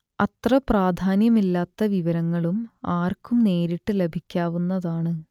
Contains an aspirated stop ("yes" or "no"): no